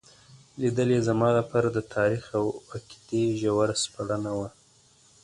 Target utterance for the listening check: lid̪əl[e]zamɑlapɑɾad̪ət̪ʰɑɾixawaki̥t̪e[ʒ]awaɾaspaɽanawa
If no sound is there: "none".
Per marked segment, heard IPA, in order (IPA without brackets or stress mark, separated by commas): e, ʒ